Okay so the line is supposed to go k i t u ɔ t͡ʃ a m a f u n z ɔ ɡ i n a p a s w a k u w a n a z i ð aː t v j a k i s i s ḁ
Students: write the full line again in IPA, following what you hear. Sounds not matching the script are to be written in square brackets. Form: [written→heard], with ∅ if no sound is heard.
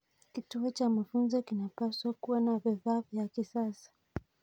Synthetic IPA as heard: k i t u ɔ t͡ʃ a m a f u n z ɔ [ɡ→k] i n a p a s w a k u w a n a [z→v] i ð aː [t→∅] v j a k i s [i→a] s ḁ